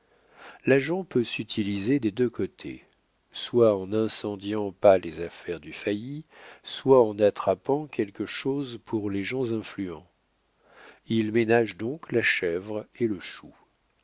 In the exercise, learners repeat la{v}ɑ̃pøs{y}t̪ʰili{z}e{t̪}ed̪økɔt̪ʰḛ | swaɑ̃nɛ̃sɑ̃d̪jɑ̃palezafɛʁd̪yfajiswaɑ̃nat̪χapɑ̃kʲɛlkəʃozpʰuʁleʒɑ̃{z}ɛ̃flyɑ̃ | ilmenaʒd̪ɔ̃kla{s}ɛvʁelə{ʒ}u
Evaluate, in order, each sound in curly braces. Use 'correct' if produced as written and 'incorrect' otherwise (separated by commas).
incorrect, correct, correct, incorrect, correct, incorrect, incorrect